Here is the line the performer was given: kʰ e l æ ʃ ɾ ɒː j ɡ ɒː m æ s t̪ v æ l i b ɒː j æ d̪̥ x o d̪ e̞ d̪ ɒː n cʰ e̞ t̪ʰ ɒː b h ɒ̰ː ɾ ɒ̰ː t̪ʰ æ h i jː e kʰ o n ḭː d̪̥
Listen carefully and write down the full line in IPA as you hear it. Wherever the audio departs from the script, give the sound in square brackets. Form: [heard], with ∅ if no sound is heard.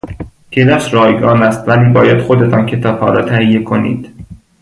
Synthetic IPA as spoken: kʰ e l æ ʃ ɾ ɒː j ɡ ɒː [n] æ s t̪ v æ l [iː] b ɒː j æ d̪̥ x o d̪ e̞ [t̪] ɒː n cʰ e̞ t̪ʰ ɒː b h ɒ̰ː ɾ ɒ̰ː t̪ʰ æ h i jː e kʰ o n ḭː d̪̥